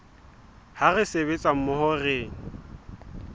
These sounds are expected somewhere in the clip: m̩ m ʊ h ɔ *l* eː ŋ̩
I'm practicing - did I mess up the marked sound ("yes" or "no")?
yes